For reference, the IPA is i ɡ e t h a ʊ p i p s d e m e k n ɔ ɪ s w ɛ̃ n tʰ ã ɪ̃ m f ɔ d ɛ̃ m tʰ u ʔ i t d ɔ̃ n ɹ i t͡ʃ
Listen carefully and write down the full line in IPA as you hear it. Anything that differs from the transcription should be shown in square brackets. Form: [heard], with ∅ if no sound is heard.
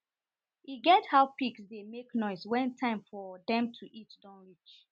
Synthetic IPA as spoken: i ɡ [ɛ] t h a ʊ p i [k] s d e m e k n ɔ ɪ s w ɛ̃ n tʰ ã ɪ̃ m f ɔ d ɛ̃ m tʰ u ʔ i t d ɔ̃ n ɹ i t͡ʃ